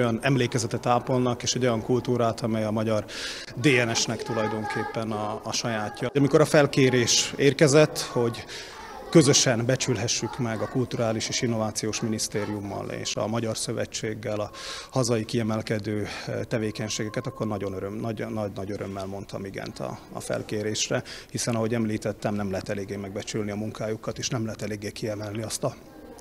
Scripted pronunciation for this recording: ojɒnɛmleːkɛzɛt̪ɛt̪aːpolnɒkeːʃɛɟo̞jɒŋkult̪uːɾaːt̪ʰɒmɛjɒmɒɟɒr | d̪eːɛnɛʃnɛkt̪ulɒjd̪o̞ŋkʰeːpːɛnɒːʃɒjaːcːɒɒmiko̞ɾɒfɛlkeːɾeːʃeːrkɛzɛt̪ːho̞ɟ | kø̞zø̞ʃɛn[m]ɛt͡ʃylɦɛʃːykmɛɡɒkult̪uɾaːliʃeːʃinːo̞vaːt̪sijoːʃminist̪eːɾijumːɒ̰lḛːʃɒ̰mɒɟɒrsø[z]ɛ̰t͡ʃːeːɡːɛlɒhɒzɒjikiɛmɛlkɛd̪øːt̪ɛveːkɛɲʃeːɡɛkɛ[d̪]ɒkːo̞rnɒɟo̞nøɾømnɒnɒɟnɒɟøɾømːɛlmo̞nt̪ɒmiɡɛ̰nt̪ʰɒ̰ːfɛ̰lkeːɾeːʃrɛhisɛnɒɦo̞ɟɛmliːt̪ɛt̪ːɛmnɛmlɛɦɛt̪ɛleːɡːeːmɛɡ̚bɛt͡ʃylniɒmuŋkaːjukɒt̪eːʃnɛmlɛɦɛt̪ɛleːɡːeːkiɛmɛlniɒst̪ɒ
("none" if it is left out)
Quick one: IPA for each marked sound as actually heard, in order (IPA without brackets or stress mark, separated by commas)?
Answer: b, v, t̪